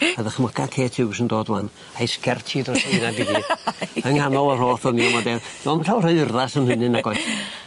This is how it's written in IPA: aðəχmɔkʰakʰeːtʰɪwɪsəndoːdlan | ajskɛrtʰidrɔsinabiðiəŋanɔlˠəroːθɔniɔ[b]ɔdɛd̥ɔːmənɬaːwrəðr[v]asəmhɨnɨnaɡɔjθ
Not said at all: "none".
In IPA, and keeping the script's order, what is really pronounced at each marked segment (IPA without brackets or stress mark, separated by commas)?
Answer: m, ð